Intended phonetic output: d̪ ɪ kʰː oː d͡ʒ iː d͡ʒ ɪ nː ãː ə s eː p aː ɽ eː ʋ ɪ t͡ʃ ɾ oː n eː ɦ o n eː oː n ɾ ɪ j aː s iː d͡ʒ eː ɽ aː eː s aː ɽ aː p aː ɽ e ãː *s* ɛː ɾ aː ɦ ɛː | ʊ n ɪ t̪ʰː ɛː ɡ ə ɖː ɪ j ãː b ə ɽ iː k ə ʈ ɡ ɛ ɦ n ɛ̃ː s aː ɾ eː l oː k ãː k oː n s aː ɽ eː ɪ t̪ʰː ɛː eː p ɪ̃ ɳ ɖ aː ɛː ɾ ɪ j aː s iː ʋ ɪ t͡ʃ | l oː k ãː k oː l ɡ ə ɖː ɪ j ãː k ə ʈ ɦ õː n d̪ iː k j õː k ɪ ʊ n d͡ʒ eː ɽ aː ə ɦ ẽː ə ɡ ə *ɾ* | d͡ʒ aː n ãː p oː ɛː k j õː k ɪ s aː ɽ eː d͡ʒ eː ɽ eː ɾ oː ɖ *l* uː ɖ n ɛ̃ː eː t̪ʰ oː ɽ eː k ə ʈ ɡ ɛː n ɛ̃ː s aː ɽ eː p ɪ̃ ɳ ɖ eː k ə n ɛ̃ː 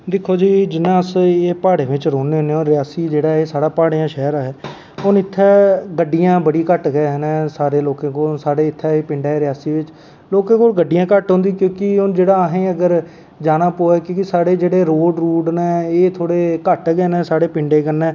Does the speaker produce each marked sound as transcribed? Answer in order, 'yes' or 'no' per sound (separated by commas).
no, yes, no